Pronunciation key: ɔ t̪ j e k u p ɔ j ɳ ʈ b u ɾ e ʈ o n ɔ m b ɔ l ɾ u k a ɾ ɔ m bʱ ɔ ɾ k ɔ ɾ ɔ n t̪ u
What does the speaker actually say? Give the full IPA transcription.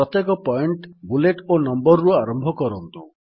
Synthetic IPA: ɔ t̪ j e k ɔ p ɔ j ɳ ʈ b u l e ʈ o n ɔ m b ɔ ɾ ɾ u a ɾ ɔ m bʱ ɔ k ɔ ɾ ɔ n t̪ u